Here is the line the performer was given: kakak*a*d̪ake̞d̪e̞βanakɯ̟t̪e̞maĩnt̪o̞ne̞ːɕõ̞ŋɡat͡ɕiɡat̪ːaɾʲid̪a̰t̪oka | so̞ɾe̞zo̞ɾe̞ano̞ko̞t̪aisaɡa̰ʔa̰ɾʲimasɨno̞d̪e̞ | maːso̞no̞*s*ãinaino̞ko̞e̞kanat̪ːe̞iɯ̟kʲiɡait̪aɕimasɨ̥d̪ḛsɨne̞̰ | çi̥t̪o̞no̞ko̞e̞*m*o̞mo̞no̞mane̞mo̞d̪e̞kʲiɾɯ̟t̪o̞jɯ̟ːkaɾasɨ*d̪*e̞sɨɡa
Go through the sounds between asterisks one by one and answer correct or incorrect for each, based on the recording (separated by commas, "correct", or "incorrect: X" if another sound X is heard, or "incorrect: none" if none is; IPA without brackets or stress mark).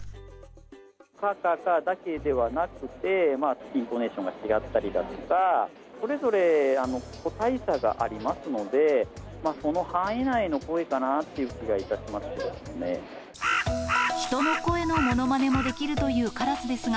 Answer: correct, incorrect: h, incorrect: n, correct